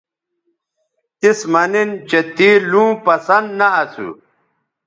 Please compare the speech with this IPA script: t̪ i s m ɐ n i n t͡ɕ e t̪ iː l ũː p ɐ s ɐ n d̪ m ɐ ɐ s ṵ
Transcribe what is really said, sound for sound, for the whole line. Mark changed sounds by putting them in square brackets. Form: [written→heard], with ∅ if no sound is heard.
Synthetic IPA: t̪ i s m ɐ n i n t͡ɕ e t̪ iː l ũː p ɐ s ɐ n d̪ [m→n] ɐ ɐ s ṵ